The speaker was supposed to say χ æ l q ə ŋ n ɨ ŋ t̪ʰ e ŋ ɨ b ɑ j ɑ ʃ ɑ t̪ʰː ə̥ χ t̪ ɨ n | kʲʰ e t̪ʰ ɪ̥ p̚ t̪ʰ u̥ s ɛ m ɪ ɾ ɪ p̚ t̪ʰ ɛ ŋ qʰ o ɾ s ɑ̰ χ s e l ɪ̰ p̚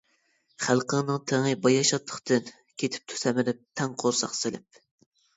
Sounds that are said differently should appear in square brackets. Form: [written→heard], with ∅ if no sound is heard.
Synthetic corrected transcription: χ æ l q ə ŋ n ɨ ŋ t̪ʰ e ŋ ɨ b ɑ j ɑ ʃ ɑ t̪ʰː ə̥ χ t̪ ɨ n | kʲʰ e t̪ʰ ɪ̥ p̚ t̪ʰ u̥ s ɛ m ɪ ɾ ɪ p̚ t̪ʰ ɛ ŋ qʰ o ɾ s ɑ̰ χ s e l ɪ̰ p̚